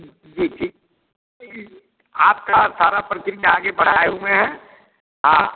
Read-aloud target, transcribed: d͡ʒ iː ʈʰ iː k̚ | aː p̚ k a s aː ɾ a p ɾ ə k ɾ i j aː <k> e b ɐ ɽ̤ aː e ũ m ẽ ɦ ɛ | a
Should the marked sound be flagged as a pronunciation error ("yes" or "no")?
yes